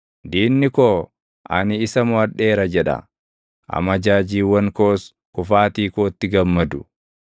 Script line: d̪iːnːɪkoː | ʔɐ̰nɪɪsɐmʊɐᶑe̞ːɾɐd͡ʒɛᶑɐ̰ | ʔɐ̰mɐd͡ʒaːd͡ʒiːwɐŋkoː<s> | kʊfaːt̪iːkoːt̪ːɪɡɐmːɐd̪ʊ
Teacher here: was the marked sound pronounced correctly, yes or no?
yes